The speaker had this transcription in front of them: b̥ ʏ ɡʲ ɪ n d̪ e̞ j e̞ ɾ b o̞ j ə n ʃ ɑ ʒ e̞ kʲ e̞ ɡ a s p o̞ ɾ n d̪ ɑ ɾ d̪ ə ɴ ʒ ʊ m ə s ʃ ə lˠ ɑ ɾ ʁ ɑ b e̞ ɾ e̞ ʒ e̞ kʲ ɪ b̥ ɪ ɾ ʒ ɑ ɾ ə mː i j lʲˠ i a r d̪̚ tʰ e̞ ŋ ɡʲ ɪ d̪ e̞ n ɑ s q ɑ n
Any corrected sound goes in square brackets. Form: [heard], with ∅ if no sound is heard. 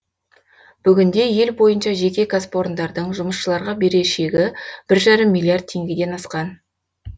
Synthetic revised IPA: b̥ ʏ ɡʲ ɪ n d̪ e̞ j e̞ [l] b o̞ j ə n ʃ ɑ ʒ e̞ kʲ e̞ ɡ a s p o̞ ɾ n d̪ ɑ ɾ d̪ ə ɴ ʒ ʊ m ə s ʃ ə lˠ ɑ ɾ ʁ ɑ b e̞ ɾ e̞ [ʃ] e̞ [ɡʲ] ɪ b̥ ɪ ɾ ʒ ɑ ɾ ə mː i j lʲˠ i a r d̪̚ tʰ e̞ ŋ ɡʲ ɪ d̪ e̞ n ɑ s q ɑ n